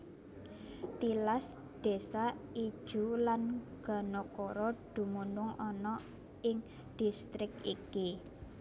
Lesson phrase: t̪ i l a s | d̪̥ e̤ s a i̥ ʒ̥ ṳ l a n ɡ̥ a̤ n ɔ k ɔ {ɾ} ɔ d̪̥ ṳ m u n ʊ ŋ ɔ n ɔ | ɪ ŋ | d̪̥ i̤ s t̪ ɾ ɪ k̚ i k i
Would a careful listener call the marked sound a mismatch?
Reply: no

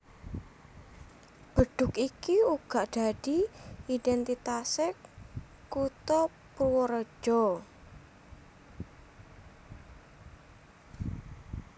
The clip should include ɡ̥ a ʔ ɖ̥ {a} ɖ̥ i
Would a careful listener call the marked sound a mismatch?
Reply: no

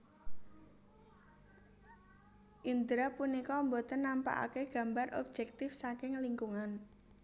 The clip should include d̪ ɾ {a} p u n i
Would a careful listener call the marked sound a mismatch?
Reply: no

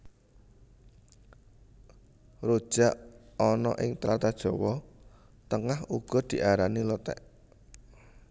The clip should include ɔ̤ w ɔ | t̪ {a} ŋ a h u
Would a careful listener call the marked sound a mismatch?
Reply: yes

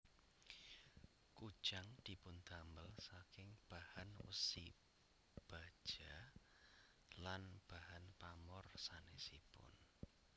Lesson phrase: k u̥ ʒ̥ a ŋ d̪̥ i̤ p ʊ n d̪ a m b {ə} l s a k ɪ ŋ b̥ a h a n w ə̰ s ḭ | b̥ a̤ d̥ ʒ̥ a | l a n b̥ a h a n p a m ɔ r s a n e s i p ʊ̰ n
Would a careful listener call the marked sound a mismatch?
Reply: no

